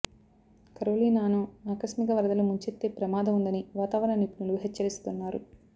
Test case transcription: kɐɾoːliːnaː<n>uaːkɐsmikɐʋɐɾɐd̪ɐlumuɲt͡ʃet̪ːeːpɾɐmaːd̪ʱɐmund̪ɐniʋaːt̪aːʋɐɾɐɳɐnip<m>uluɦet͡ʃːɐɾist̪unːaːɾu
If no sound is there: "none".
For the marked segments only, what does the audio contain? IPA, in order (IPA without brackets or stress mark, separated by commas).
n, n